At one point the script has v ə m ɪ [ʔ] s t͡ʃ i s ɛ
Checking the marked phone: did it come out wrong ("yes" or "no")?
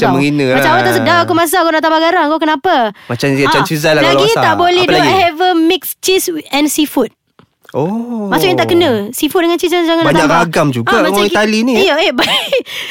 yes